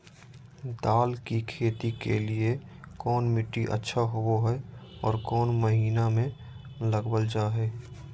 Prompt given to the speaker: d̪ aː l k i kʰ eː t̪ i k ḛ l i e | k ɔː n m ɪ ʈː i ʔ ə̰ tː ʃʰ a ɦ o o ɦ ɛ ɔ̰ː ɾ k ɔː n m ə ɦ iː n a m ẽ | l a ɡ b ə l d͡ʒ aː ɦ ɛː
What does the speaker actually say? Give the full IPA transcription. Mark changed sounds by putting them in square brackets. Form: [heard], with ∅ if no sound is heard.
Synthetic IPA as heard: d̪ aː l k i kʰ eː t̪ i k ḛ l i e | k ɔː n m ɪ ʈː i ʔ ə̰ tː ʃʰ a ɦ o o ɦ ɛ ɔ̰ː ɾ k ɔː n m ə ɦ iː n a m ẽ | l [ə] ɡ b ə l d͡ʒ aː ɦ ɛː